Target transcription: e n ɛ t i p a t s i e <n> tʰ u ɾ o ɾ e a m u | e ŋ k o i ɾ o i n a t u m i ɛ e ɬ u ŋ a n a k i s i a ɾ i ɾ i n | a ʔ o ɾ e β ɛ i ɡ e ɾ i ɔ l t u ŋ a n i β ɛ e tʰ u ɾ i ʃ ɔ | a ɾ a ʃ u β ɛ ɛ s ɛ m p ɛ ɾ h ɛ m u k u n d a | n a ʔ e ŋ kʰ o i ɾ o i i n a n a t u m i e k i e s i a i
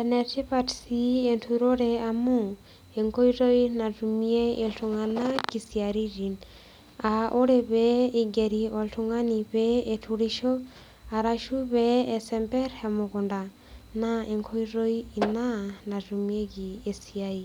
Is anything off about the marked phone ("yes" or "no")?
no